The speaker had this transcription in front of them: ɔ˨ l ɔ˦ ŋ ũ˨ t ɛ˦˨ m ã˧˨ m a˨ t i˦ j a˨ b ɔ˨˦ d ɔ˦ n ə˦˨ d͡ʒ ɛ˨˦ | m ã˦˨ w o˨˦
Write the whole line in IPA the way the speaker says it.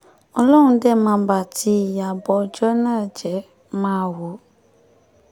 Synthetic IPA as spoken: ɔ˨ l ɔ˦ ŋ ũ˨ d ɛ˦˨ m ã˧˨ b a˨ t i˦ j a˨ b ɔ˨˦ d͡ʒ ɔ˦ n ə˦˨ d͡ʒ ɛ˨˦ | m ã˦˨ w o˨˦